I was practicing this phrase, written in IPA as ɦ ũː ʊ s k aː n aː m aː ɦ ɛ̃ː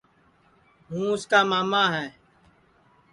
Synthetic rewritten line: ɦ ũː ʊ s k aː m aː m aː ɦ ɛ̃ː